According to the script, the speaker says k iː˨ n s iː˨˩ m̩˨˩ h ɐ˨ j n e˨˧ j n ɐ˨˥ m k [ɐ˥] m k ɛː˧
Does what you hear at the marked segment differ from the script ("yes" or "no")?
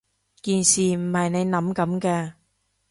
yes